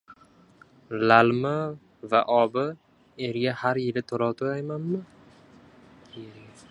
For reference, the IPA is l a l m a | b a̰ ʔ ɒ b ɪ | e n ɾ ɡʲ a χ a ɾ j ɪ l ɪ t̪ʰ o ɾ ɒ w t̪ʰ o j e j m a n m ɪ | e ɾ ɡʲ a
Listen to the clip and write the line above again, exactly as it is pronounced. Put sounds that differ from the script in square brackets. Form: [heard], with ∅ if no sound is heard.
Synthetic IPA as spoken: l a l m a | [v] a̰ ʔ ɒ b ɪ | e [∅] ɾ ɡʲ a [h] a ɾ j ɪ l ɪ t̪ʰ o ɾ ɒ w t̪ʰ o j [a] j m a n m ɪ | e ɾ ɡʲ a